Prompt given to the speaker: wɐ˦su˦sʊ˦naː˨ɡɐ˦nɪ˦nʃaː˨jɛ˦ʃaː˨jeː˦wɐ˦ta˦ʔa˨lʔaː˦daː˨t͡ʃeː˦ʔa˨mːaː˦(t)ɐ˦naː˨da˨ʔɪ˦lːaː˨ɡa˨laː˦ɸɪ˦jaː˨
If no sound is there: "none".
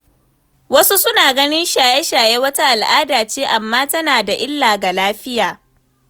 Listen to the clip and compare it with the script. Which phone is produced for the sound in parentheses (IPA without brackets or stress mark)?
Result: t